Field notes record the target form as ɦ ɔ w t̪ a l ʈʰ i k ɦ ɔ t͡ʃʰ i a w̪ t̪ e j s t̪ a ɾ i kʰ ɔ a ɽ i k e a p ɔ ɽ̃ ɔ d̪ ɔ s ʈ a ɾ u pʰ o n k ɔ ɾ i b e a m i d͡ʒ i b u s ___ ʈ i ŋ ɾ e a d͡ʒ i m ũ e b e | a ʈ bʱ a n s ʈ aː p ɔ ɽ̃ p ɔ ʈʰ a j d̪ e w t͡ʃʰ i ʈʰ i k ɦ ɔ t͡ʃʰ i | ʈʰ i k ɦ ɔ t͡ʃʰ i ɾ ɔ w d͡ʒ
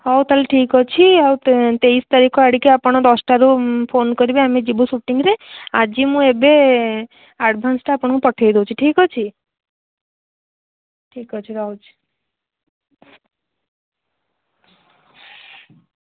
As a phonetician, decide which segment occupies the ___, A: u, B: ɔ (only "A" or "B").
A